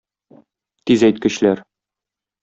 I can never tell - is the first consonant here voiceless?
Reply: yes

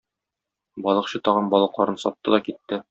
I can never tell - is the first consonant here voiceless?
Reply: no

